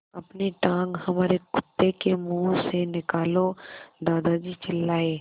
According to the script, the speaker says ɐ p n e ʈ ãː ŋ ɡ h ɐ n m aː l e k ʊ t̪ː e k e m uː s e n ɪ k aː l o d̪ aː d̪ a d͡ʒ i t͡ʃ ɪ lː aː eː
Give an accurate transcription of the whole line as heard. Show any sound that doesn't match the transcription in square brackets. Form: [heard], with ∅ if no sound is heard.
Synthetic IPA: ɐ p n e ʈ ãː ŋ ɡ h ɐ [∅] m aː [ɾ] e k ʊ t̪ː e k e m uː s e n ɪ k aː l o d̪ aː d̪ a d͡ʒ i t͡ʃ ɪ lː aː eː